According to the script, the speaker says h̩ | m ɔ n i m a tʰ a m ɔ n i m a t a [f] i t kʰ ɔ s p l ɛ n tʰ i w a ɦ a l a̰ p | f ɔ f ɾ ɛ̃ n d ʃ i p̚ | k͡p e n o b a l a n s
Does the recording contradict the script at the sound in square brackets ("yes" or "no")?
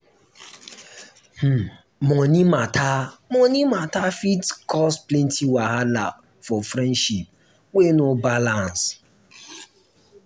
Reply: no